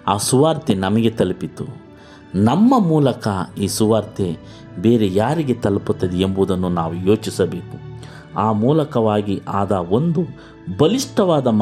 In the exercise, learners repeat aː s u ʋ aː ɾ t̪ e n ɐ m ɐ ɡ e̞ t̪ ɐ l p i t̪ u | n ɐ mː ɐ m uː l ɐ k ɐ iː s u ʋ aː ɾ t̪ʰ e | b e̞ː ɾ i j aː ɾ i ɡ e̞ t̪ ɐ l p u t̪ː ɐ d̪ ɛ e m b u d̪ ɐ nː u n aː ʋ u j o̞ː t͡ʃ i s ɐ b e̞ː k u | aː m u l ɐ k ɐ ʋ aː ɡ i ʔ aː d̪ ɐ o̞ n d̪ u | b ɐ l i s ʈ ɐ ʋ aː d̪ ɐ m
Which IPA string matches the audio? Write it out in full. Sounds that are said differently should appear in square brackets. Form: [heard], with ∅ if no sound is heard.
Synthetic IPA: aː s u ʋ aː ɾ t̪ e n ɐ m ɐ ɡ e̞ t̪ ɐ l p i t̪ u | n ɐ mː ɐ m uː l ɐ k ɐ iː s u ʋ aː ɾ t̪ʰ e | b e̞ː ɾ [e] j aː ɾ i ɡ e̞ t̪ ɐ l p u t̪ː ɐ d̪ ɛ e m b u d̪ ɐ nː u n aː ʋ u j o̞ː t͡ʃ i s ɐ b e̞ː k u | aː m [uː] l ɐ k ɐ ʋ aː ɡ i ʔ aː d̪ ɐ o̞ n d̪ u | b ɐ l i [ʂ] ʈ ɐ ʋ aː d̪ ɐ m